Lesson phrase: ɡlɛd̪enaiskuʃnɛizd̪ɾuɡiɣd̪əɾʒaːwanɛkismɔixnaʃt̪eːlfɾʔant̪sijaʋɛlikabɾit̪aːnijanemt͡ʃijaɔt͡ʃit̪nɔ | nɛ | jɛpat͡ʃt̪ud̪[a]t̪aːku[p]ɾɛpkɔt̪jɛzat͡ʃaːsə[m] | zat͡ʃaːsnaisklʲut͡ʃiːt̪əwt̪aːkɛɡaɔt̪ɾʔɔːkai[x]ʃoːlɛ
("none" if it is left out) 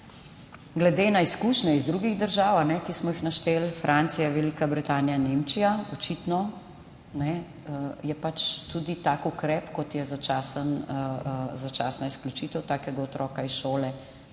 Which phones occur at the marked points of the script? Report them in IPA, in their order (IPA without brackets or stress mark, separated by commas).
i, k, n, s